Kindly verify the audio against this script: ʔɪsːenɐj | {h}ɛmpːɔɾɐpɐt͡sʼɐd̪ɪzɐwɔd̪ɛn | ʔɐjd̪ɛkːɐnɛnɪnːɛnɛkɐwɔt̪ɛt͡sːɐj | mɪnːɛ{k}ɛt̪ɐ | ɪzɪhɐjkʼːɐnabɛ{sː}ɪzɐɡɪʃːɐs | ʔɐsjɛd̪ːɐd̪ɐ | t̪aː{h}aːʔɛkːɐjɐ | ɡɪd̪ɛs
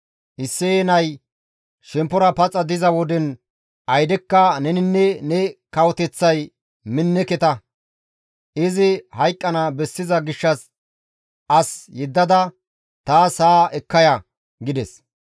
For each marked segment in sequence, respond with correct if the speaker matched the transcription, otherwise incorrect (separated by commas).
incorrect, correct, correct, incorrect